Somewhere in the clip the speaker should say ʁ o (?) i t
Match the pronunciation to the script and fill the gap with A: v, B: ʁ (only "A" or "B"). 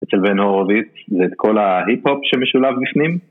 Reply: A